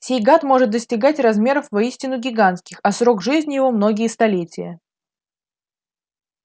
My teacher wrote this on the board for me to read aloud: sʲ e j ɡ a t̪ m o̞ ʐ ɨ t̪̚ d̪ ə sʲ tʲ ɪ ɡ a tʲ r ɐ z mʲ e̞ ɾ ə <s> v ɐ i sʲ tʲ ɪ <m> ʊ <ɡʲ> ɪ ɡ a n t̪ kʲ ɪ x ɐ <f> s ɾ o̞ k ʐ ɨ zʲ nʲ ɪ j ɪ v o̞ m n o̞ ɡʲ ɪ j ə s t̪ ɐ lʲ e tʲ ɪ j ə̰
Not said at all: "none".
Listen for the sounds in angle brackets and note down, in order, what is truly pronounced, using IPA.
f, n, ɡʲ, none

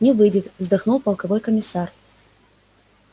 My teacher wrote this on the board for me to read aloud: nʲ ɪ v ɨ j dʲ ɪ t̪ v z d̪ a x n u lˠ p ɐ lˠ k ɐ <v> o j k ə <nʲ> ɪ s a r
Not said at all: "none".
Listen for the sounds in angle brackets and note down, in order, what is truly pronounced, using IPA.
v, mʲ

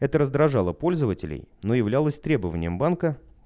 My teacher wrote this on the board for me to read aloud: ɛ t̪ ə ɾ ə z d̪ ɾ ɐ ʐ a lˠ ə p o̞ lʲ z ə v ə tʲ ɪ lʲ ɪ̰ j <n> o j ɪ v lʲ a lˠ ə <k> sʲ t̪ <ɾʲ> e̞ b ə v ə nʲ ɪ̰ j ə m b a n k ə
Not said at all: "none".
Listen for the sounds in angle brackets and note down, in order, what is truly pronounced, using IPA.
n, none, ɾʲ

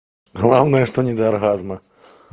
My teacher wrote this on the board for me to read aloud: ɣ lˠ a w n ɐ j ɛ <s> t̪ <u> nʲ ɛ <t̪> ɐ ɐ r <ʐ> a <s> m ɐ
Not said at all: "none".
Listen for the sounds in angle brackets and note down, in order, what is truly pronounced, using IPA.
ʂ, ɔ, d̪, ɣ, z

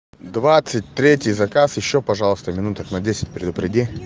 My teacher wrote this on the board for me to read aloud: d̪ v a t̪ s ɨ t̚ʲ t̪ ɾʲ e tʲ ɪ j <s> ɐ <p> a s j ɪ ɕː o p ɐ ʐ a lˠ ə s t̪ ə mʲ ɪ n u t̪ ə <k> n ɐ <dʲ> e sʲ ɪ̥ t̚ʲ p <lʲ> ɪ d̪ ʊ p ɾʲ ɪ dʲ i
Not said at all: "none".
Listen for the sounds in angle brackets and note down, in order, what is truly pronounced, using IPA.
z, k, k, dʲ, ɾʲ

